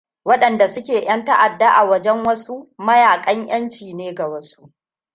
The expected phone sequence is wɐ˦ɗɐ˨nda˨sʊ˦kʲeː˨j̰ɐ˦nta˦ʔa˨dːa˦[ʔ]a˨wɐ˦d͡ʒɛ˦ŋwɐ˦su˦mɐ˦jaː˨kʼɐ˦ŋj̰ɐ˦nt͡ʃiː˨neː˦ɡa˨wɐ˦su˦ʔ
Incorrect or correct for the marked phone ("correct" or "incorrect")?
correct